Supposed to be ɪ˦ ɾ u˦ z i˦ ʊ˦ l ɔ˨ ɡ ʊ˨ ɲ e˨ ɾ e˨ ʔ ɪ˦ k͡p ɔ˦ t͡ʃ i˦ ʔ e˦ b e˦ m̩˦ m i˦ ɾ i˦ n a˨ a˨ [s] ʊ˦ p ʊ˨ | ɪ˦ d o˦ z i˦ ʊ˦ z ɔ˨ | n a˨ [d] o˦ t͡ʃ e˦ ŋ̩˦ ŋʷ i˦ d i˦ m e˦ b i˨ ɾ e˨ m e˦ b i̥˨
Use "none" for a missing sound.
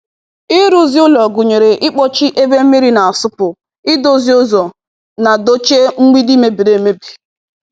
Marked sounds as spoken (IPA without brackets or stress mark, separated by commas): s, d